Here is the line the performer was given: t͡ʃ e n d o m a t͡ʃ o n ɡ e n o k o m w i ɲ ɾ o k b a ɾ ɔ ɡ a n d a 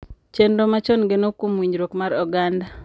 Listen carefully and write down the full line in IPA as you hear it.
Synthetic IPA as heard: t͡ʃ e n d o m a t͡ʃ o n ɡ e n o k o m w i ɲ ɾ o k m a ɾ ɔ ɡ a n d a